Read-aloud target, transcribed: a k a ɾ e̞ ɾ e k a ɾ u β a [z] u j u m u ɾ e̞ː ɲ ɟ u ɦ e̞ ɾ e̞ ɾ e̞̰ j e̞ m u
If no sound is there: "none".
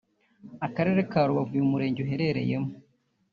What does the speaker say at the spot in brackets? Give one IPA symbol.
v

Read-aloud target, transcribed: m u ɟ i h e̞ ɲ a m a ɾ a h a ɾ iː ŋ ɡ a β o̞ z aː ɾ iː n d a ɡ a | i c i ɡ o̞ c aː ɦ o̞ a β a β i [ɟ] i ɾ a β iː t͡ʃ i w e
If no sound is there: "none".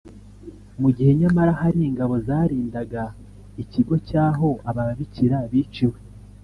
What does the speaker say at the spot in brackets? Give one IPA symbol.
c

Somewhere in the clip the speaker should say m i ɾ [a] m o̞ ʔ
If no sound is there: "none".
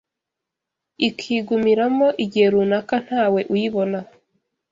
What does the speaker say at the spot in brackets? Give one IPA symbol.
a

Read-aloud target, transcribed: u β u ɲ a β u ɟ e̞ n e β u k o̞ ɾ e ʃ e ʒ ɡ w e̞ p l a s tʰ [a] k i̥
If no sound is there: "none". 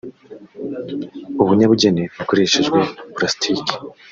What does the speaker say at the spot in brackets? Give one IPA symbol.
i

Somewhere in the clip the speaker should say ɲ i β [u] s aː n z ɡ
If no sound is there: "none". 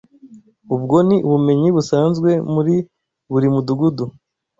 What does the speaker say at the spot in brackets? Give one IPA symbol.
u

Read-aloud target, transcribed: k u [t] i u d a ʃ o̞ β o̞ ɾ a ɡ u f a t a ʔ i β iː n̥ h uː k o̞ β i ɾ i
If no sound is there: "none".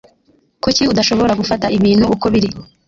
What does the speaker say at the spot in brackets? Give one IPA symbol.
c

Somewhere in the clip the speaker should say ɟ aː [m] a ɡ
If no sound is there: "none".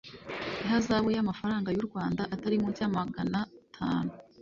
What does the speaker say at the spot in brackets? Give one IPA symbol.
m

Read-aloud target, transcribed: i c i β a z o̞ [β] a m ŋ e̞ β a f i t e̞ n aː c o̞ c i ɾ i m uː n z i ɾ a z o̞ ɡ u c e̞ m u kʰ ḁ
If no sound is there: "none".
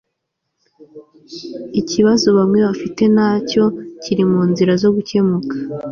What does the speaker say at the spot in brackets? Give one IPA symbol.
β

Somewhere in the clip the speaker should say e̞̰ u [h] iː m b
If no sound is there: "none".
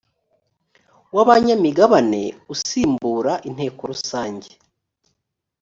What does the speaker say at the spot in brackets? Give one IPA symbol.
s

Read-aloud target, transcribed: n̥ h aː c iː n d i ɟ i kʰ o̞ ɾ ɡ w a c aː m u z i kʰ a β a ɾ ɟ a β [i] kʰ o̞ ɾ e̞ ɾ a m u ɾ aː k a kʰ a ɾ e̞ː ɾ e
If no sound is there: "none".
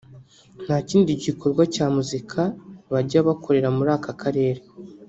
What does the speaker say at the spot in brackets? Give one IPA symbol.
a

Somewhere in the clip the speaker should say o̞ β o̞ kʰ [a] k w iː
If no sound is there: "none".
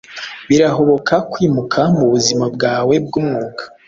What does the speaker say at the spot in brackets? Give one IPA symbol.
a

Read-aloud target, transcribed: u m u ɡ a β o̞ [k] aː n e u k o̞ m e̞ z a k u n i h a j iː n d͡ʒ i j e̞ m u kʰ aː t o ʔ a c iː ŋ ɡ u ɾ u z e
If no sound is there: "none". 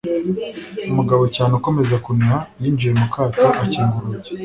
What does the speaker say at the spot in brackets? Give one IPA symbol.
c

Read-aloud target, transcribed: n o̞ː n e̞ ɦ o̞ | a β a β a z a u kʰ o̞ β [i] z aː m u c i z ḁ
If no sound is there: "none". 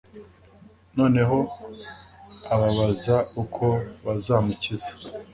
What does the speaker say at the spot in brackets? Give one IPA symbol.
a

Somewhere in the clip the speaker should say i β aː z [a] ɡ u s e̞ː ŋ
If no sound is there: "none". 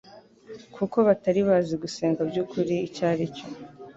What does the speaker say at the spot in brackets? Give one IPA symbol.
i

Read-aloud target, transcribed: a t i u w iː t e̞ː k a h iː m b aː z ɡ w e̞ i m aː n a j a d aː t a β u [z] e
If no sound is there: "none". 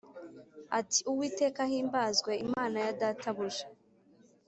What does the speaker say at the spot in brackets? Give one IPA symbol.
ʒ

